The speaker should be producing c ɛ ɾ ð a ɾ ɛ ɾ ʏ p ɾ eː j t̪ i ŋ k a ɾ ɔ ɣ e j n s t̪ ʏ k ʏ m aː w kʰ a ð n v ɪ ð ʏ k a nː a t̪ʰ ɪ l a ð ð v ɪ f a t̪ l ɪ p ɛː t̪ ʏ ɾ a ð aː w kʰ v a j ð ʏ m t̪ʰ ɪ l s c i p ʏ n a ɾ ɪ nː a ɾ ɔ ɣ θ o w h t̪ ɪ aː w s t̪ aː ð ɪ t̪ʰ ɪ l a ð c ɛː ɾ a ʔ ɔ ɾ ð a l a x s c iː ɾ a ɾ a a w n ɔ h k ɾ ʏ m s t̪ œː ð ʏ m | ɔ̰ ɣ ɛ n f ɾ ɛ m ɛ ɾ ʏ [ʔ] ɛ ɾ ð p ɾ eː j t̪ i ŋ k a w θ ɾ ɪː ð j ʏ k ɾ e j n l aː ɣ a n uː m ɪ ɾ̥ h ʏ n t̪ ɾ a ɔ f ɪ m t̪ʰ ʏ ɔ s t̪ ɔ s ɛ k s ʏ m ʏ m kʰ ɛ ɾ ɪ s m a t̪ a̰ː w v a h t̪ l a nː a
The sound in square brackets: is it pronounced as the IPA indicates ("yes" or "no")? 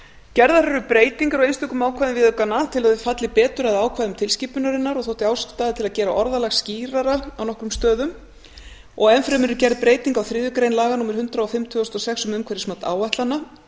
no